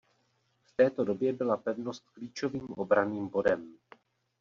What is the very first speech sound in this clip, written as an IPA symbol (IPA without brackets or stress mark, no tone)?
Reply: f